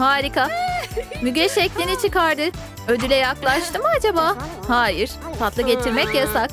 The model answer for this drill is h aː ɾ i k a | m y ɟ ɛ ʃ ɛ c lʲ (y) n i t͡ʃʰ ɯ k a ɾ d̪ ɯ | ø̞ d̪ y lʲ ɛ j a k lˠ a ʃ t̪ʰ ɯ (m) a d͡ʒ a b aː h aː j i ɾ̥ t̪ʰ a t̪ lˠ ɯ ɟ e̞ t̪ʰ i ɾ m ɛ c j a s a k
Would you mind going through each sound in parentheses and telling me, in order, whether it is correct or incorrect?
incorrect, correct

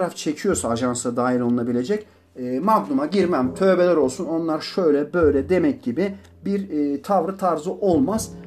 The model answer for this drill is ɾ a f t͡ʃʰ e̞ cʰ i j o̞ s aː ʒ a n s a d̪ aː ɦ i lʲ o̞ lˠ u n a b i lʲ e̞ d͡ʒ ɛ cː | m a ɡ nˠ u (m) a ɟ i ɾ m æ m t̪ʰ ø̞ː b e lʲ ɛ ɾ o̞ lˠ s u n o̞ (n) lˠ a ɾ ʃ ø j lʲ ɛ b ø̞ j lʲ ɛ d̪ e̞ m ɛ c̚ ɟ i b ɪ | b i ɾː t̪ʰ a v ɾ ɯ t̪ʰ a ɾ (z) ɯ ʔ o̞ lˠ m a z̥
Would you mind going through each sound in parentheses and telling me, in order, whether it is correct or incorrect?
correct, correct, correct

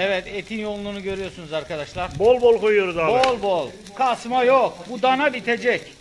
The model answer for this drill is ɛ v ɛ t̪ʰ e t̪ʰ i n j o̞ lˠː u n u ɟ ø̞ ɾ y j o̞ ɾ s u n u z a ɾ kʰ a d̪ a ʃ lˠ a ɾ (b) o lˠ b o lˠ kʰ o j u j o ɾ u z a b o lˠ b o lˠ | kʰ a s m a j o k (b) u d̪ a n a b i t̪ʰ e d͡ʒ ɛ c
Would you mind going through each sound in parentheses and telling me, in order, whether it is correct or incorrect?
correct, correct

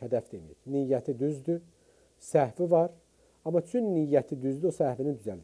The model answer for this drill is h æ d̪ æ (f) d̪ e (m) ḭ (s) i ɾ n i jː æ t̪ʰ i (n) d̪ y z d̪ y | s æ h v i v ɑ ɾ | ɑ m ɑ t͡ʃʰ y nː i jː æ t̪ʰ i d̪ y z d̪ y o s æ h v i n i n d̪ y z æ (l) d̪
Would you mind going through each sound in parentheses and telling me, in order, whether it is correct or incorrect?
correct, correct, incorrect, incorrect, correct

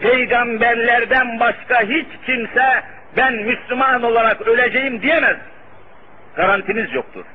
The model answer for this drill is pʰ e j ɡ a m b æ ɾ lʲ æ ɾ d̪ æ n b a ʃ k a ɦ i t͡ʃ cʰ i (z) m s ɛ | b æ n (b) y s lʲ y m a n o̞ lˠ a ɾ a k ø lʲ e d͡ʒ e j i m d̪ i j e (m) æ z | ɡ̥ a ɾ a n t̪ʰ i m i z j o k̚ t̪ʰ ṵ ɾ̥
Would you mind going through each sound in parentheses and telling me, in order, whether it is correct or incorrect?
incorrect, incorrect, correct

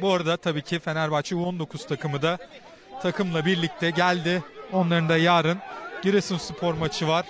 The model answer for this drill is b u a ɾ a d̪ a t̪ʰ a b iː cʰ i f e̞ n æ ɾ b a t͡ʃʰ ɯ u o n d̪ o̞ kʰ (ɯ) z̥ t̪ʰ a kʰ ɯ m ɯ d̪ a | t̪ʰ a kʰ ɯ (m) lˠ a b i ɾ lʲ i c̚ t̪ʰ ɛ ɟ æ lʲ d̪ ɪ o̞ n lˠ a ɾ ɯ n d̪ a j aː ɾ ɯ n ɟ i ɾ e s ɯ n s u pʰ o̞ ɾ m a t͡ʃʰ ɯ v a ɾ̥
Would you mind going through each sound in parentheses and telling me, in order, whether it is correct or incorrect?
incorrect, correct

